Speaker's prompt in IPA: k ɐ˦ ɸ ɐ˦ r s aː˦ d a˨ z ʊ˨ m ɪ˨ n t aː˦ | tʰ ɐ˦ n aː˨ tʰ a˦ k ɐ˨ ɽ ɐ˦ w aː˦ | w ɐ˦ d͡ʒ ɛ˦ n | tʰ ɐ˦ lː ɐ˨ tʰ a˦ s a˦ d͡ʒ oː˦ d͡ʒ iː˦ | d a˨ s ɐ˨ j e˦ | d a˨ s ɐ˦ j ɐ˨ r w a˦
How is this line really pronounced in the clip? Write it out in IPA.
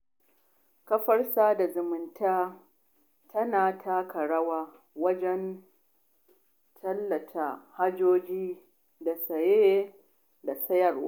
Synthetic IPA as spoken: k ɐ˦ ɸ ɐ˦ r s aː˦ d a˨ z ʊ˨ m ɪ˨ n t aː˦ | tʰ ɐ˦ n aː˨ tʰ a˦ k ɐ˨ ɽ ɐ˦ w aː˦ | w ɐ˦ d͡ʒ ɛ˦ n | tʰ ɐ˦ lː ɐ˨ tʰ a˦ h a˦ d͡ʒ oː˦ d͡ʒ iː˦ | d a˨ s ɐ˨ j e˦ | d a˨ s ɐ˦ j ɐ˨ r w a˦